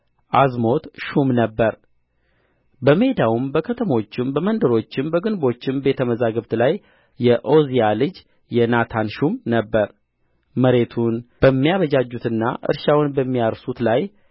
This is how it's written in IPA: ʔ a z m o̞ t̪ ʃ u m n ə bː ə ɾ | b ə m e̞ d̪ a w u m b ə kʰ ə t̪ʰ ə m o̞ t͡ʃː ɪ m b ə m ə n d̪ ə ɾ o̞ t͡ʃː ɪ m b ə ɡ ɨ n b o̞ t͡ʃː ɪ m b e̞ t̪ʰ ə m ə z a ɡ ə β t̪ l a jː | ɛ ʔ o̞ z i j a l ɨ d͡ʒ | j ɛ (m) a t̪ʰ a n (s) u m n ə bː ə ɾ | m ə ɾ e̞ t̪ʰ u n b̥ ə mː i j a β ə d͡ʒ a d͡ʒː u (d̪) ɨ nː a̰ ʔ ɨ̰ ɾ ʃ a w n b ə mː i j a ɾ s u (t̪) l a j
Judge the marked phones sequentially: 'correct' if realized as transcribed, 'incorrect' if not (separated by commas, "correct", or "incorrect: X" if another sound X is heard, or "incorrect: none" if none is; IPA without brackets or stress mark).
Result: incorrect: n, incorrect: ʃ, incorrect: t̪, correct